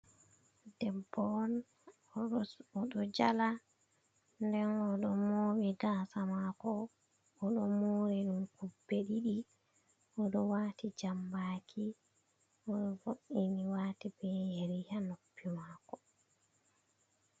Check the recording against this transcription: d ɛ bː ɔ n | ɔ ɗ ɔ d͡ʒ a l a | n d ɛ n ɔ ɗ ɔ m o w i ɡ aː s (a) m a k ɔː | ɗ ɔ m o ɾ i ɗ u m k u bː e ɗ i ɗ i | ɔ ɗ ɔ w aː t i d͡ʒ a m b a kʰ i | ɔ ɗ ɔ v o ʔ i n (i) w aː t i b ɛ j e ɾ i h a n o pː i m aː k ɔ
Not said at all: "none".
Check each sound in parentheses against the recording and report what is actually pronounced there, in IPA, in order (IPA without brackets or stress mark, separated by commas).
a, i